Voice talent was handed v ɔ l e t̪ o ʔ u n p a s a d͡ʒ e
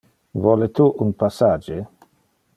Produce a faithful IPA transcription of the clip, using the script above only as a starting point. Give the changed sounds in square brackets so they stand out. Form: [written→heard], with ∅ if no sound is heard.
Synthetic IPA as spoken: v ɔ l e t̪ [o→u] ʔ u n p a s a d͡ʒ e